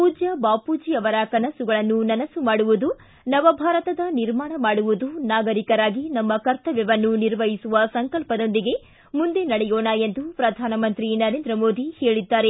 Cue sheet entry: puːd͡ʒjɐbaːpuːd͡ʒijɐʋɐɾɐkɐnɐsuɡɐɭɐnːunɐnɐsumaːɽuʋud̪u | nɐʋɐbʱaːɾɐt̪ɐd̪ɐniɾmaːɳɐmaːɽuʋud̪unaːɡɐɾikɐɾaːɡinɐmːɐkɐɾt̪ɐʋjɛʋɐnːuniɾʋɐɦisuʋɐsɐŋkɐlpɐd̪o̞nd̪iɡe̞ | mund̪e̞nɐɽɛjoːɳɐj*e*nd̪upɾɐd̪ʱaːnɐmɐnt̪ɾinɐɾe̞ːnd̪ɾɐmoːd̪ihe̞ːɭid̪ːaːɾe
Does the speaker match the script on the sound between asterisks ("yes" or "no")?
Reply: yes